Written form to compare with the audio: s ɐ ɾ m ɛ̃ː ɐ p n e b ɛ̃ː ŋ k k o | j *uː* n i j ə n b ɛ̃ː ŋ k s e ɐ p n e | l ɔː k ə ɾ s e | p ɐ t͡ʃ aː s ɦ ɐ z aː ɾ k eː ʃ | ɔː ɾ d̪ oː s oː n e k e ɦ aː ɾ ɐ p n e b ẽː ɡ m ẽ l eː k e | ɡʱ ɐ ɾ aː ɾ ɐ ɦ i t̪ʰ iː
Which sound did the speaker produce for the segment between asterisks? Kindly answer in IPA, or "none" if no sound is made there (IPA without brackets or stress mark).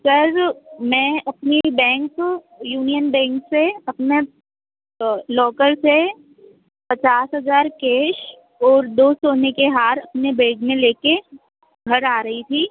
uː